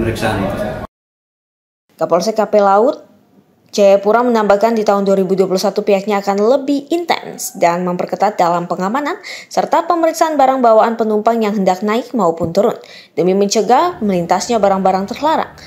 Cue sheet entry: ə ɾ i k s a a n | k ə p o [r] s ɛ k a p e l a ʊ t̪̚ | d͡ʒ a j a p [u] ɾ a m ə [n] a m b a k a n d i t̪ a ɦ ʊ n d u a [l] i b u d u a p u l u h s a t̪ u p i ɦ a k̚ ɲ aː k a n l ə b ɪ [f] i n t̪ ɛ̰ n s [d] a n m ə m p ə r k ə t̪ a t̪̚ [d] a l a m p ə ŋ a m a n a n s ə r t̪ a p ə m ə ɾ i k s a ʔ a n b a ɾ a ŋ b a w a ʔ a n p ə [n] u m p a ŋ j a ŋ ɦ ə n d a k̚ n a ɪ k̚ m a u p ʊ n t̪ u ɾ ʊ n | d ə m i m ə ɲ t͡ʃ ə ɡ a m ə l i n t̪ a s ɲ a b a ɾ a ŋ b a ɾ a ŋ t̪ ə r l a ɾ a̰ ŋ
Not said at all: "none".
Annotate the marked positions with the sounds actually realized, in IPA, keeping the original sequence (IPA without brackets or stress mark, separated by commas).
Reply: l, u, n, ɾ, h, d, d, n